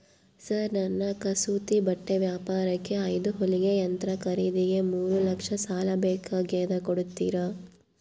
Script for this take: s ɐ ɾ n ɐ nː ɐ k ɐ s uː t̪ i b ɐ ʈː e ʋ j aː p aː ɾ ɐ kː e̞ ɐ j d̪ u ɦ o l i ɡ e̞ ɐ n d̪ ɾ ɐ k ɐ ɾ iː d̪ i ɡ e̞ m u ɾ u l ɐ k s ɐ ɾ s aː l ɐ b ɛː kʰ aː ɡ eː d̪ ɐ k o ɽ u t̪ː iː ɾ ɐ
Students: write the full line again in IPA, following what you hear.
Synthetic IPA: s ɐ ɾ n ɐ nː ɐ k ɐ s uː t̪ i b ɐ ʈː e ʋ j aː p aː ɾ ɐ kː e̞ ɐ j d̪ u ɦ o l i ɡ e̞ ɐ n t̪ ɾ ɐ k ɐ ɾ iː d̪ i ɡ e̞ m uː ɾ u l ɐ k ʂ ɐ s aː l ɐ b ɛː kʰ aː ɡ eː d̪ ɐ k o ɽ u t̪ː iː ɾ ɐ